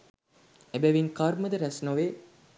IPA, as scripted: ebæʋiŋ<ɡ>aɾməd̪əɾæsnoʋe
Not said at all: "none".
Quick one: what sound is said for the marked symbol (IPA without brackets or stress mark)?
k